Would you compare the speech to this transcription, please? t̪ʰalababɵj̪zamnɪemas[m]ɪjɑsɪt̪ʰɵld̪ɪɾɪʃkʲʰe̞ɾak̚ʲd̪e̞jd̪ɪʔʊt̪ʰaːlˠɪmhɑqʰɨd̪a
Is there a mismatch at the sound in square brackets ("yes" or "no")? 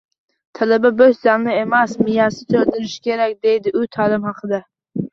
no